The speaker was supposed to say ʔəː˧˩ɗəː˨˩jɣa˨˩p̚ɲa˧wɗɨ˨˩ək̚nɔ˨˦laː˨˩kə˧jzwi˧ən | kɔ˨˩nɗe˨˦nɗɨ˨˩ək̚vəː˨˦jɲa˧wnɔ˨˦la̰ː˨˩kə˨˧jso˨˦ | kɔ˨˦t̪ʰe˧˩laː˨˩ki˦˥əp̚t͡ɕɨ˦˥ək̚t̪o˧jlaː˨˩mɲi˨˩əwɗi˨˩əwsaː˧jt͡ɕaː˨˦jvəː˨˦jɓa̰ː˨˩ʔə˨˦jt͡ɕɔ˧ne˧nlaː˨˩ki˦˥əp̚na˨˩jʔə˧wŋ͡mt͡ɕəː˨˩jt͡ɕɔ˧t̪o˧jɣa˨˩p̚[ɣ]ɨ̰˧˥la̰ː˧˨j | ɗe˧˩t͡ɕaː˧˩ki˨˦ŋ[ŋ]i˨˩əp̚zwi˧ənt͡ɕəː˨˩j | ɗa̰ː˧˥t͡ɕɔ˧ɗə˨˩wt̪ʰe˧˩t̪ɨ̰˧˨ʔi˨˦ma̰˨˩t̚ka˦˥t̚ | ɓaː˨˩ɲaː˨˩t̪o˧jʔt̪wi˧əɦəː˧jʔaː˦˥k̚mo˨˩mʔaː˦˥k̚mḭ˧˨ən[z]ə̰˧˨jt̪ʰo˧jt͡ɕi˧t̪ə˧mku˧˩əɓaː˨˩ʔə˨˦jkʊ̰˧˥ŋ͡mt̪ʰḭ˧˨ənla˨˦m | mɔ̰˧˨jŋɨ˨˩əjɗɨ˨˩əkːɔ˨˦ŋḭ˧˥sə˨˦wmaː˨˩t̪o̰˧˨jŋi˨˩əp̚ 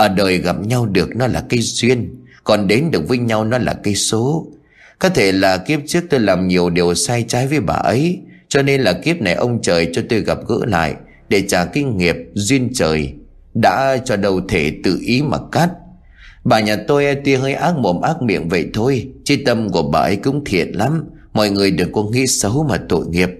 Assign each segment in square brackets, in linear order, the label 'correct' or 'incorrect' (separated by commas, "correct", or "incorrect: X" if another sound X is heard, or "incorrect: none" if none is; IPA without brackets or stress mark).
correct, correct, incorrect: v